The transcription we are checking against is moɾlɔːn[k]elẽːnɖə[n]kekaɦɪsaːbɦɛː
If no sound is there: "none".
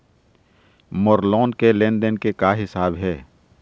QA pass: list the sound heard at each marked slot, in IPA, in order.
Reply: k, n

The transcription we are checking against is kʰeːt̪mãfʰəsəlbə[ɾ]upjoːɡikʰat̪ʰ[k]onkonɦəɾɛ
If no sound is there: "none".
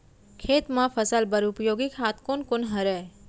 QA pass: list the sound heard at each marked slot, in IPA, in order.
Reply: ɾ, k

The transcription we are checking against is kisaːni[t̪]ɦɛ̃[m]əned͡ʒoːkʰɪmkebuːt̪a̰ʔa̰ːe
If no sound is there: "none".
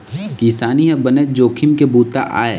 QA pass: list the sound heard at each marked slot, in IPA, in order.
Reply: none, b

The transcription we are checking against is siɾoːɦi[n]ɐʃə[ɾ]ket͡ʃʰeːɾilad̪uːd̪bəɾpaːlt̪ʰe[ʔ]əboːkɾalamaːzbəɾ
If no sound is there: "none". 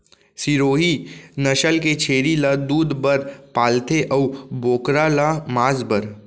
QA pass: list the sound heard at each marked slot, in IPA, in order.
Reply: n, l, ʔ

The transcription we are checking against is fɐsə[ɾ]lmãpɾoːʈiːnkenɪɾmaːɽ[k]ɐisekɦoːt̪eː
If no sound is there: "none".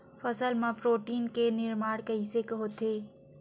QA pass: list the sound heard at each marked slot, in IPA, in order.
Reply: none, k

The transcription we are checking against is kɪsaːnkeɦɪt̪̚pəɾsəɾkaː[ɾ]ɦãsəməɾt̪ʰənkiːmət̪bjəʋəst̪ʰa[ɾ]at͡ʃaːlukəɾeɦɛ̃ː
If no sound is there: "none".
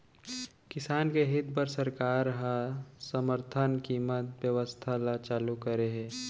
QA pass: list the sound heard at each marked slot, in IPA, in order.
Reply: ɾ, l

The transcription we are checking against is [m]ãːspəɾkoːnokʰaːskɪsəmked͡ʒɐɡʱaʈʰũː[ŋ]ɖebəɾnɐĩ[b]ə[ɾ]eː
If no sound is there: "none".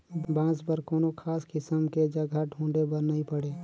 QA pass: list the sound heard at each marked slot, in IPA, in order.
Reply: b, ɳ, p, ɽ

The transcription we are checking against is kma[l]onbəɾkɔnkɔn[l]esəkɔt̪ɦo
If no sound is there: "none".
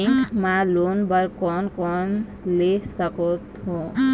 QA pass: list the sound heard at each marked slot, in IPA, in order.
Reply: l, l

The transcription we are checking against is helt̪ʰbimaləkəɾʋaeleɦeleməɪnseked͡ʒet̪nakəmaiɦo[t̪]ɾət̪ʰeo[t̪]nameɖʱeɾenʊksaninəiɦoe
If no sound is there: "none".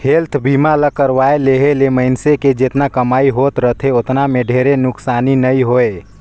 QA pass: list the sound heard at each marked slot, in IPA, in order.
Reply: t̪, t̪

